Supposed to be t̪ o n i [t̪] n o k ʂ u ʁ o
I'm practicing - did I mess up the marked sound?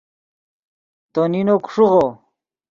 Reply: yes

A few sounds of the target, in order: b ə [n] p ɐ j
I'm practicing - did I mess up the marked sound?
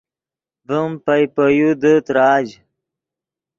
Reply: yes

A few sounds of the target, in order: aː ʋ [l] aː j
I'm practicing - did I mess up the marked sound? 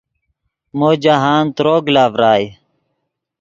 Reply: yes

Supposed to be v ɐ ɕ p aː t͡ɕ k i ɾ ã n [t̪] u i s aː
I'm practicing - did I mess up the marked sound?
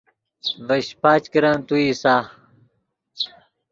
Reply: no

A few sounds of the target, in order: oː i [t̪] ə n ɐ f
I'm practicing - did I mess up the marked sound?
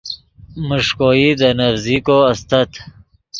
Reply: yes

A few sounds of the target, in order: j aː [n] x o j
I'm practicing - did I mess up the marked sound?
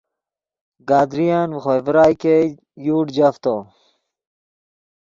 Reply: no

